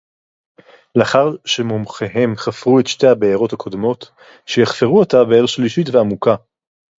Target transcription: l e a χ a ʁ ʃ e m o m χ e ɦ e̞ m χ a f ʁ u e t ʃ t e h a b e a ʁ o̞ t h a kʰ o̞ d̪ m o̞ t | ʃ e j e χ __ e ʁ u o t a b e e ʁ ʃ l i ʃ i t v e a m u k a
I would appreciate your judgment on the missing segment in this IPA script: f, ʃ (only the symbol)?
f